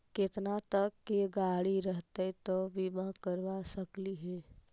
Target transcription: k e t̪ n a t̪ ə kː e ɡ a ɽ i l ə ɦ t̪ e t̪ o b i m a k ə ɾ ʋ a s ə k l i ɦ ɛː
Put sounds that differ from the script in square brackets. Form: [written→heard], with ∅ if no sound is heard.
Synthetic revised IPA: k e t̪ n a t̪ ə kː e ɡ a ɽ i [l→ɾ] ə ɦ t̪ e t̪ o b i m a k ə ɾ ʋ a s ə k l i ɦ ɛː

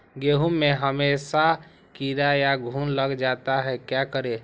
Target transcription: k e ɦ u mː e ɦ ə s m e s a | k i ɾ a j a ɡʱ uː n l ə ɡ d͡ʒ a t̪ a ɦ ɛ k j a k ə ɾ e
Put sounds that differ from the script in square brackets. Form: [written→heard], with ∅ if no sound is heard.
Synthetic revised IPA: [k→ɡ] e ɦ u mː e ɦ ə [s→∅] m e s a | k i ɾ a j a ɡʱ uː n l ə ɡ d͡ʒ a t̪ a ɦ ɛ k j a k ə ɾ e

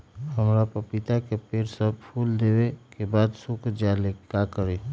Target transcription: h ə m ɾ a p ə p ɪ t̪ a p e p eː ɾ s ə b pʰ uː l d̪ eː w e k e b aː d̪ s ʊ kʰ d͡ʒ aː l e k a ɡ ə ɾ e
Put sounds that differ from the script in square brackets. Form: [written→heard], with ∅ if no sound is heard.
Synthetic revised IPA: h ə m ɾ a p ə p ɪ t̪ a [p→k] e p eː ɾ s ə b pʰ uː l d̪ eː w e k e b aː d̪ s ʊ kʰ d͡ʒ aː l e k a [ɡ→k] ə ɾ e

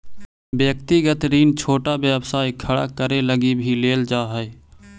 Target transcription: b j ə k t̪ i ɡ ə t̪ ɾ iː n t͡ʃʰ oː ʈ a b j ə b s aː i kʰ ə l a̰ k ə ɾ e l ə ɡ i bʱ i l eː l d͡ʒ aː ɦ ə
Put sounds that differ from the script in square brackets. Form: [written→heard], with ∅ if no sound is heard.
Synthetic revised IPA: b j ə k t̪ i ɡ ə t̪ ɾ iː n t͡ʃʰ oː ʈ a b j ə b s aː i kʰ ə [l→ɽ] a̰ k ə ɾ e l ə ɡ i bʱ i l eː l d͡ʒ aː ɦ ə

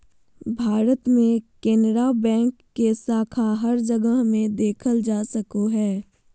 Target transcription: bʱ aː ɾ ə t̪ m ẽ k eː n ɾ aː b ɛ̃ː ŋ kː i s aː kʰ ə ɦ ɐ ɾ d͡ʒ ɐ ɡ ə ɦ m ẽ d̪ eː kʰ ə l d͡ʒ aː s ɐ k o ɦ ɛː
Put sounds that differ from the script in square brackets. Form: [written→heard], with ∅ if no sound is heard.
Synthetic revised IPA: bʱ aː ɾ ə t̪ m ẽ k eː n ɾ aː b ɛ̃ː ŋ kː [i→e] s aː kʰ [ə→a] ɦ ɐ ɾ d͡ʒ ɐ ɡ ə ɦ m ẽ d̪ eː kʰ ə l d͡ʒ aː s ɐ k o ɦ ɛː

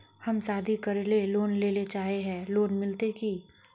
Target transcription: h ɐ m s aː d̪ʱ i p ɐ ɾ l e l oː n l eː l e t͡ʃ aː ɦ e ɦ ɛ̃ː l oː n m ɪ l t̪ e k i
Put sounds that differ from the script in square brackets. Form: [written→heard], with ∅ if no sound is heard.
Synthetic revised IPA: h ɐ m s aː d̪ʱ i [p→k] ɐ ɾ l e l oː n l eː l e t͡ʃ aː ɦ e ɦ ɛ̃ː l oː n m ɪ l t̪ e k i

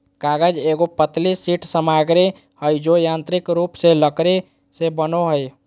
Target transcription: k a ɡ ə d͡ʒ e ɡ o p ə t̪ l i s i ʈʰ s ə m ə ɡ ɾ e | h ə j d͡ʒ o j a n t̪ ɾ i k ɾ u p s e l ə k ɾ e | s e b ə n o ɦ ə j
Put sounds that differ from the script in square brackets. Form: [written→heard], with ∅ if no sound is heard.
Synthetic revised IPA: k a ɡ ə d͡ʒ e ɡ o p ə t̪ l i s i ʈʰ s ə m [ə→a] ɡ ɾ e | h ə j d͡ʒ o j a n t̪ ɾ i k ɾ u p s e l ə k ɾ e | s e b ə n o ɦ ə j

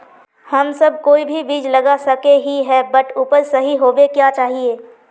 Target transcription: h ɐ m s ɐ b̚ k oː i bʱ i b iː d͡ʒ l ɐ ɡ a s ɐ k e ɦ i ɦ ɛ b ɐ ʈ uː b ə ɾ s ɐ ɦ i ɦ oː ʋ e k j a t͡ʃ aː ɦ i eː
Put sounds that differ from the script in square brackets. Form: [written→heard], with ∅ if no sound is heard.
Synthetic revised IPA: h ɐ m s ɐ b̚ k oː i bʱ i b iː d͡ʒ l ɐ ɡ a s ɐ k e ɦ i ɦ ɛ b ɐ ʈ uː [b→p] ə ɾ s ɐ ɦ i ɦ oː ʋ e k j a t͡ʃ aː ɦ i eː

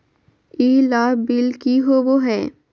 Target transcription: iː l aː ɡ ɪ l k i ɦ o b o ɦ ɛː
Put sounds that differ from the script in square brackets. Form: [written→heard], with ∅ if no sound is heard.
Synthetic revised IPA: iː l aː [ɡ→b] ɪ l k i ɦ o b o ɦ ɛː

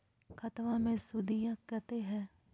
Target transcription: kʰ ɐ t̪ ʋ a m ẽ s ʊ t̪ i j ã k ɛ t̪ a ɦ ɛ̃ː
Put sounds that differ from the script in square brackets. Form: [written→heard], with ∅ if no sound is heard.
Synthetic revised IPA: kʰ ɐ t̪ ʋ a m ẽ s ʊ [t̪→d̪] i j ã k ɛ t̪ [a→e] ɦ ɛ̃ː

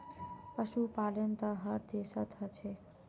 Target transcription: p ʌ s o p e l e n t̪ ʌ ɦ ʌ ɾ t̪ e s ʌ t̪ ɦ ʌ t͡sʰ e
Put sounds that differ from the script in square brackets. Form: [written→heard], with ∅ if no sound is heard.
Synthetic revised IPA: p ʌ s [o→u] p [e→a] l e n t̪ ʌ ɦ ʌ ɾ [t̪→d̪] e s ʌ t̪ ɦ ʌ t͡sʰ e

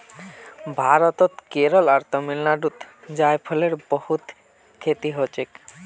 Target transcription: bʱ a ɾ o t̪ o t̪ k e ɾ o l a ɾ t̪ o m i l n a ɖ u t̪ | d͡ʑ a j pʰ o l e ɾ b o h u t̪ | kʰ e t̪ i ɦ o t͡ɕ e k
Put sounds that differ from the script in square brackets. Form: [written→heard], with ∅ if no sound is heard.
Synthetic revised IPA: bʱ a ɾ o t̪ o t̪ k e ɾ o l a ɾ t̪ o m i l n a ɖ u t̪ | d͡ʑ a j pʰ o l e ɾ b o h u t̪ | kʰ e t̪ i ɦ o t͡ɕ e k

